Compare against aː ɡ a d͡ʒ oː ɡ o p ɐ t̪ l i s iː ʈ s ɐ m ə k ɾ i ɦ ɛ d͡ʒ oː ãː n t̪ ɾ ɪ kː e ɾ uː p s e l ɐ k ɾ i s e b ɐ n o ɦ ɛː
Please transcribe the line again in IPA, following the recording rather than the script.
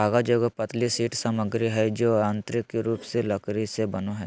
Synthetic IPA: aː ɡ a d͡ʒ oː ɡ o p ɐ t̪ l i s iː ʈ s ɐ m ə ɡ ɾ i ɦ ɛ d͡ʒ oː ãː n t̪ ɾ ɪ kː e ɾ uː p s e l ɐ k ɾ i s e b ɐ n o ɦ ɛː